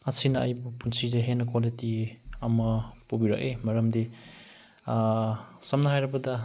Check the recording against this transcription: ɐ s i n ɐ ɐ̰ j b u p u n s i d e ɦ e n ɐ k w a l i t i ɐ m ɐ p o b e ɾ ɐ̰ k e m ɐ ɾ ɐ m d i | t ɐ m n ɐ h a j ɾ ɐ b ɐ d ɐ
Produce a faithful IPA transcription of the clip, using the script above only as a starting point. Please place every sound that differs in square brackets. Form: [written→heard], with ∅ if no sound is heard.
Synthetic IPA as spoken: ɐ s i n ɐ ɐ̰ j b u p u n s i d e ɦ e n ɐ k w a l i t i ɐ m ɐ p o b [e→i] ɾ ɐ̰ k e m ɐ ɾ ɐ m d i | [t→s] ɐ m n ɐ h a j ɾ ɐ b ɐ d ɐ